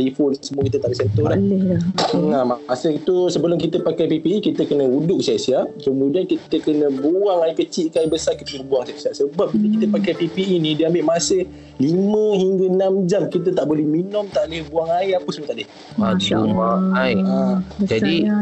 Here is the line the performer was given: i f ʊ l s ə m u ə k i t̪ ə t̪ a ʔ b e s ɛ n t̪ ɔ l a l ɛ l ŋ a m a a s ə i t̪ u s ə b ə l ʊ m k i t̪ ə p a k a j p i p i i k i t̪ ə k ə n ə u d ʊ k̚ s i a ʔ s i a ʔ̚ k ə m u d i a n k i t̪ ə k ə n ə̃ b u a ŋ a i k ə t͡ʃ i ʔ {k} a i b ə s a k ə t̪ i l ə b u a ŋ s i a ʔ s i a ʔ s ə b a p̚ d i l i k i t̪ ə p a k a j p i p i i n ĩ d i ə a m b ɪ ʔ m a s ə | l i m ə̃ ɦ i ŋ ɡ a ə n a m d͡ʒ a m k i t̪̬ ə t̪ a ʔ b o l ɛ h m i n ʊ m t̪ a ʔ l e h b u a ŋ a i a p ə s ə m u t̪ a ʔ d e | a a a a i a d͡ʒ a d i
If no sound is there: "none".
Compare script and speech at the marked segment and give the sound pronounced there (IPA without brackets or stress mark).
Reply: k